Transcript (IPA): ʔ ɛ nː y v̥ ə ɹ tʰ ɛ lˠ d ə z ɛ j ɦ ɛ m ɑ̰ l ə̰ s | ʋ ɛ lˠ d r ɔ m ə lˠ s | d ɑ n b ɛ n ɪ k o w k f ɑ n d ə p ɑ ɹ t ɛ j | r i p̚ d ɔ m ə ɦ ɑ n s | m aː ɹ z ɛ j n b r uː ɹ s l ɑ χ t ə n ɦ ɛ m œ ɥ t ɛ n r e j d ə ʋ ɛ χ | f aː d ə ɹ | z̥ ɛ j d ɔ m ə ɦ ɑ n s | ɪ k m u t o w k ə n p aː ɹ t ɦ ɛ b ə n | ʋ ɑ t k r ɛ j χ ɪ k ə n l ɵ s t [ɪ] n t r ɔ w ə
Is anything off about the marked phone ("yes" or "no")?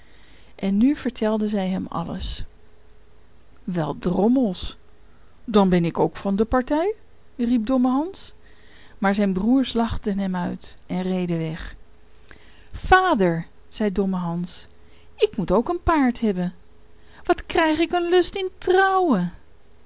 no